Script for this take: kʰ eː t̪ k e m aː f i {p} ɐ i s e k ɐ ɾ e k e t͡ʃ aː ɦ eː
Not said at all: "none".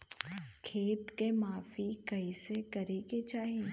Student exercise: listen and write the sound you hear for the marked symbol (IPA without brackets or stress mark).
k